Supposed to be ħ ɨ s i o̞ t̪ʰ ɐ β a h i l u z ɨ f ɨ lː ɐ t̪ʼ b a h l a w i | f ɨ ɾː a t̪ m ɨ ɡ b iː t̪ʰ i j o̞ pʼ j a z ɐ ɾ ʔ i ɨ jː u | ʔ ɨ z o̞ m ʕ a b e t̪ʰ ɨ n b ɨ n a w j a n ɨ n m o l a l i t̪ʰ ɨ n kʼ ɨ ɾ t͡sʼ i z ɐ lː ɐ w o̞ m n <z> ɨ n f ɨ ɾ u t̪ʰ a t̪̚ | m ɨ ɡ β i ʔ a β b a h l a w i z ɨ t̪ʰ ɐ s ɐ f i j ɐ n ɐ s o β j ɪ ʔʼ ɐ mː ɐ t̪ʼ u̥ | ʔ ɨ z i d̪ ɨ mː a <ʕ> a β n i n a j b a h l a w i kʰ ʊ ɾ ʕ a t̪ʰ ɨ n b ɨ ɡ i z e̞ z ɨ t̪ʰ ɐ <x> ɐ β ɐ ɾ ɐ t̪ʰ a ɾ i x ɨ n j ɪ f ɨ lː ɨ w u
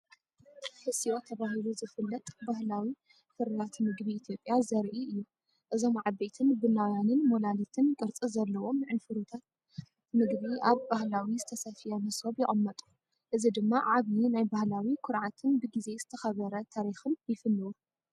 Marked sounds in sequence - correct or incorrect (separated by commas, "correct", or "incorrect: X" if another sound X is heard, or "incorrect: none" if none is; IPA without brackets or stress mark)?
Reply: incorrect: ʕ, correct, correct